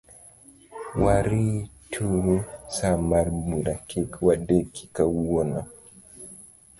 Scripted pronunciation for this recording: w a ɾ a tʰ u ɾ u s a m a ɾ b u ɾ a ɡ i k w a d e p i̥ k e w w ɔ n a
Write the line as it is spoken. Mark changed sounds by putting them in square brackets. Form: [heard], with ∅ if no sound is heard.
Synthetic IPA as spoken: w a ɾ [i] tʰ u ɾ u s a m a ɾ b u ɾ a [k] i k w a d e [k] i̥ k [a] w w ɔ n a